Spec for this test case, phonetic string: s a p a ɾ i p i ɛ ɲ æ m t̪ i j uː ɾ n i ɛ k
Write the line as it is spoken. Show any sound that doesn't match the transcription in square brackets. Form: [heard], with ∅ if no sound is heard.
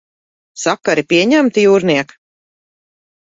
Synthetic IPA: s a [k] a ɾ i p i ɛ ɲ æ m t̪ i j uː ɾ n i ɛ k